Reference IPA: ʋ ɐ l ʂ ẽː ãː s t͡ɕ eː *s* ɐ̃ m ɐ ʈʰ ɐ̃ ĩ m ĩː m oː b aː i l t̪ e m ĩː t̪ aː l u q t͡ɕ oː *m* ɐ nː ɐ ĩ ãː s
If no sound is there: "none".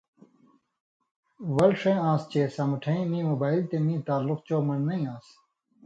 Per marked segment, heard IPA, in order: s, m

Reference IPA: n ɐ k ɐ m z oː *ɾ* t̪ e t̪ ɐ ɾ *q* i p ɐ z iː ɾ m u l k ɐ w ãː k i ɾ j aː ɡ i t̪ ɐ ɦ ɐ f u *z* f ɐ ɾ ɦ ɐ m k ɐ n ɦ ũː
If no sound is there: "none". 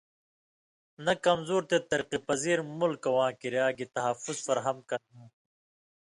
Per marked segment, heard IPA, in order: ɾ, q, z

